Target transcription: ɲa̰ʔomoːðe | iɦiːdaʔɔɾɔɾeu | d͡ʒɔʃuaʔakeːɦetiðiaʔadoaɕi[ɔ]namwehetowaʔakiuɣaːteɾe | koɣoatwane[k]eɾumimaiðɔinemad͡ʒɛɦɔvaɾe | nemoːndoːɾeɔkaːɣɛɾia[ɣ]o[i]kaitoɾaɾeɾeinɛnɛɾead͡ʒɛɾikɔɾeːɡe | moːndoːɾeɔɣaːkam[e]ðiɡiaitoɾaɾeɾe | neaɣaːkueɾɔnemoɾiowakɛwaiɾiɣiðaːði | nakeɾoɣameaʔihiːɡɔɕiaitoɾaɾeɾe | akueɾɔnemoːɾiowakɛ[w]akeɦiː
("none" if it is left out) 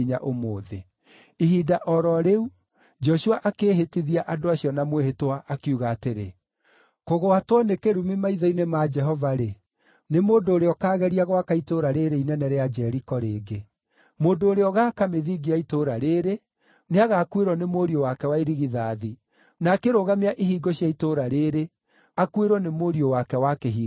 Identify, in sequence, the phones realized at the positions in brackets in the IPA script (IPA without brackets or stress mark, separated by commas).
ɔ, k, ɣ, a, e, w